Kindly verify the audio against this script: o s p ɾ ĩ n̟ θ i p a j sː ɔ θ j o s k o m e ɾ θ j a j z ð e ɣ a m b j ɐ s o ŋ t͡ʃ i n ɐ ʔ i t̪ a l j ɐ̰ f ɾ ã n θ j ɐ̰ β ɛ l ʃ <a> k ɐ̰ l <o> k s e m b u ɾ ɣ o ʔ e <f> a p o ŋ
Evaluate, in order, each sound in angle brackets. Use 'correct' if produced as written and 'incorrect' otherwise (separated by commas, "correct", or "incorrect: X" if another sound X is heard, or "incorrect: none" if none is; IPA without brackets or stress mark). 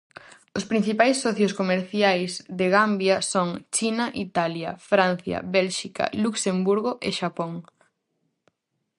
incorrect: i, incorrect: u, incorrect: ʃ